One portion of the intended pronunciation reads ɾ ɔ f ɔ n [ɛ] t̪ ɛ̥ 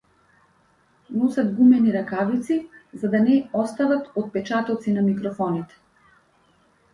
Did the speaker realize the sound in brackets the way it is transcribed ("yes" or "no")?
no